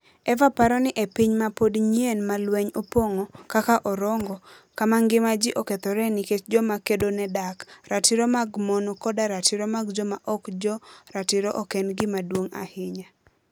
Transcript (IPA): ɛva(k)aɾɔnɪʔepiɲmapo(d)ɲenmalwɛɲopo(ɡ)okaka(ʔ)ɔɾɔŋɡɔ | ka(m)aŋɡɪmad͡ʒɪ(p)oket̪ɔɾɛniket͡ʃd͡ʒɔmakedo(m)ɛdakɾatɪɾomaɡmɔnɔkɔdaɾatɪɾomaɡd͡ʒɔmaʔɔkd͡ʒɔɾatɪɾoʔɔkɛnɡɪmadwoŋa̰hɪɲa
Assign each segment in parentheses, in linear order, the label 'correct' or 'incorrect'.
incorrect: p, correct, incorrect: ŋ, correct, correct, incorrect: ʔ, incorrect: n

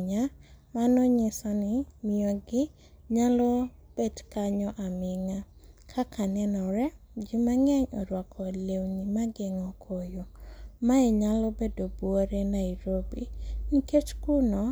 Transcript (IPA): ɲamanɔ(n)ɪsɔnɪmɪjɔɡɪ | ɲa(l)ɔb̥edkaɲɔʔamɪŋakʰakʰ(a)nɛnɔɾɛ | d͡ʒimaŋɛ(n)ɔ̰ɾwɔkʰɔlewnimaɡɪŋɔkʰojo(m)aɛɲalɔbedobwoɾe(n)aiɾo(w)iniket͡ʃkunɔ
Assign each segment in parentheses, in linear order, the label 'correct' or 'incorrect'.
incorrect: ɲ, correct, correct, incorrect: ɲ, correct, correct, incorrect: b

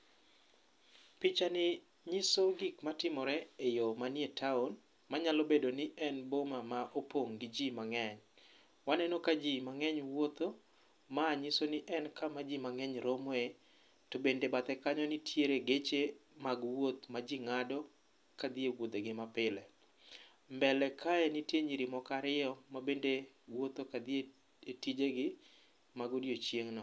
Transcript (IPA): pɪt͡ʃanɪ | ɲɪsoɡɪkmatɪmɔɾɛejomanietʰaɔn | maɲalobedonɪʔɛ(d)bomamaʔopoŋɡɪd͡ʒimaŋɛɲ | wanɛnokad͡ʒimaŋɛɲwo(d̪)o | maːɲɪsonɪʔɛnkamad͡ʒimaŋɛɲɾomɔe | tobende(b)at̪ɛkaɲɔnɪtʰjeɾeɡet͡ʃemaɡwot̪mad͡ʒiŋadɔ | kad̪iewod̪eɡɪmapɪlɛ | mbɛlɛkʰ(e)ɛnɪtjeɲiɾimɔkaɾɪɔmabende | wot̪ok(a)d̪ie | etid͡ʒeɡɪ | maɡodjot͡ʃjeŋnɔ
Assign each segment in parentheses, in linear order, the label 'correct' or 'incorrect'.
incorrect: n, incorrect: t̪, correct, incorrect: a, correct

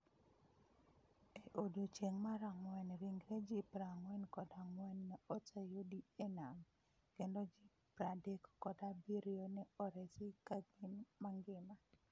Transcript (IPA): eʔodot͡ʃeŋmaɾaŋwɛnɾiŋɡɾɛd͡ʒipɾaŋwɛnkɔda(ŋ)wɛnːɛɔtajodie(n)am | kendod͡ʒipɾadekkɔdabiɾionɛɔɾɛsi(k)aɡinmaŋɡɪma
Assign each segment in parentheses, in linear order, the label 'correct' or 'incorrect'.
correct, correct, correct

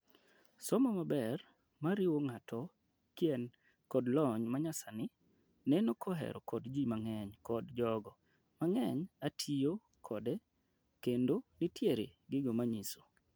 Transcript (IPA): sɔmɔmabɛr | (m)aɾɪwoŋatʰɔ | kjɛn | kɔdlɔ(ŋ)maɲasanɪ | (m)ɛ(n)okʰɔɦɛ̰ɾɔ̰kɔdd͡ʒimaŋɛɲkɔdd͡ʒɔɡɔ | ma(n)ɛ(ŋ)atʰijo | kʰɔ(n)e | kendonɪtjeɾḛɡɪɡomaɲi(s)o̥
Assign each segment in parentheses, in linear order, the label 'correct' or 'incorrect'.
correct, incorrect: ɲ, incorrect: n, correct, incorrect: ŋ, incorrect: ɲ, incorrect: d, correct

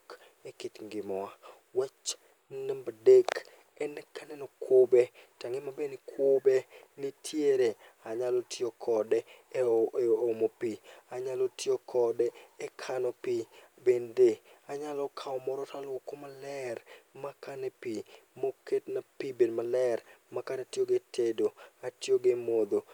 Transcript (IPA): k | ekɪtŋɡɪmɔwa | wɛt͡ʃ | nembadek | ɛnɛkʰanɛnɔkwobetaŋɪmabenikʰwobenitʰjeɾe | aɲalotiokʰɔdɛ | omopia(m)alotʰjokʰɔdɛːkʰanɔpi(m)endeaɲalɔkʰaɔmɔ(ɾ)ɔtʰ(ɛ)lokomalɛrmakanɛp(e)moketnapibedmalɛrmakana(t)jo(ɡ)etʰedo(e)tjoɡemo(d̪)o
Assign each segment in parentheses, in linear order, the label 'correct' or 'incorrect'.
incorrect: ɲ, incorrect: b, correct, incorrect: a, incorrect: i, correct, correct, incorrect: a, correct

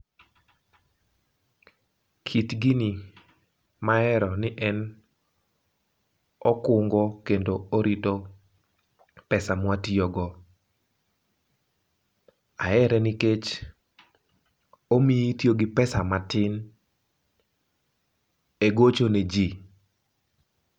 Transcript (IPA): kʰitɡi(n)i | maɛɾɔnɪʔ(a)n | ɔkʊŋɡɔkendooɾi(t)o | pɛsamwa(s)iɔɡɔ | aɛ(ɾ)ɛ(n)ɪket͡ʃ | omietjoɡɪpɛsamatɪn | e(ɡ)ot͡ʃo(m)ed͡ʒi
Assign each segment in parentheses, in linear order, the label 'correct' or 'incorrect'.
correct, incorrect: ɛ, correct, incorrect: t, correct, correct, correct, incorrect: n

